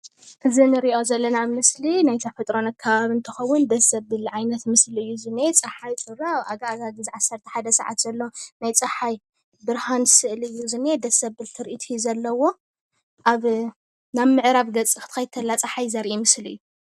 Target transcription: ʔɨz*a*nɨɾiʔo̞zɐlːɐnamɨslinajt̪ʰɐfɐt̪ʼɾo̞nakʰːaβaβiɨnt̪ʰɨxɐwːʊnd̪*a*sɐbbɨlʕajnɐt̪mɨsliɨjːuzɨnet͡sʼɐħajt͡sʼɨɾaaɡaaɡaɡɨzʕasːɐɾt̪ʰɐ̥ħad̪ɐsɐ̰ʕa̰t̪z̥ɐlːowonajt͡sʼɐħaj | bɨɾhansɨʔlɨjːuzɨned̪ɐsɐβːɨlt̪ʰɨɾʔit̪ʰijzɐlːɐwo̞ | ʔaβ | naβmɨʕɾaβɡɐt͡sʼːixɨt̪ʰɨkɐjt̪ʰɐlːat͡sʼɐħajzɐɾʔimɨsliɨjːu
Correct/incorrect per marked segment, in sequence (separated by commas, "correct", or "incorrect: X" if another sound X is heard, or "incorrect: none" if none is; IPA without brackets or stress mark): incorrect: i, incorrect: ɐ